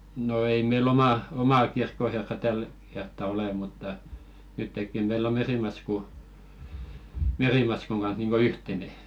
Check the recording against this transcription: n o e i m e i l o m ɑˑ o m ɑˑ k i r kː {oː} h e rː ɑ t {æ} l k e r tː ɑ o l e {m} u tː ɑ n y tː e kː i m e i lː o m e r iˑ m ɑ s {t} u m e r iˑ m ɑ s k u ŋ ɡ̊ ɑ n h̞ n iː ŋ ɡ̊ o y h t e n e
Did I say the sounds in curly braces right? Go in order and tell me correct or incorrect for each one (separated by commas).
incorrect, correct, correct, incorrect